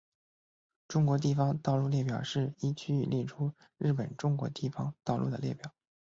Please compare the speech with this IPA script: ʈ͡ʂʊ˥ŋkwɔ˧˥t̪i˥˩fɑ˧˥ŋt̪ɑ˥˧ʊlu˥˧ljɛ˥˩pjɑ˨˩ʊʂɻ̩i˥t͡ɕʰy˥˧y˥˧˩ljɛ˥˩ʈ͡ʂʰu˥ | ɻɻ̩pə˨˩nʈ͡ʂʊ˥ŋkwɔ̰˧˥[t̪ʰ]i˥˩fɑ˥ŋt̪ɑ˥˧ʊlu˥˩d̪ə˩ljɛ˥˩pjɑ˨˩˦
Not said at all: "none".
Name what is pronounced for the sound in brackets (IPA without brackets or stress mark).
t̪